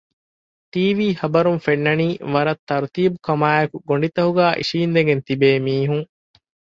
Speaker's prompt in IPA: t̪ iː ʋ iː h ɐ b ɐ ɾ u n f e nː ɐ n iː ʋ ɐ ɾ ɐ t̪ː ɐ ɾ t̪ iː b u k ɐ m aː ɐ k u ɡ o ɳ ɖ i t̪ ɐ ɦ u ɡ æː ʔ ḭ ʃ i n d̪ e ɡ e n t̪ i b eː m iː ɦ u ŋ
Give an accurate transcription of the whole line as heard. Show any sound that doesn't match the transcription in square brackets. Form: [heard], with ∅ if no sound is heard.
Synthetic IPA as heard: t̪ iː ʋ iː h ɐ b ɐ ɾ u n f e nː ɐ n iː ʋ ɐ ɾ ɐ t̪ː ɐ ɾ t̪ iː b u k ɐ m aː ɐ k u ɡ o ɳ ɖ i t̪ ɐ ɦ u ɡ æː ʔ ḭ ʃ [iː] n d̪ e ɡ e n t̪ i b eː m iː ɦ u ŋ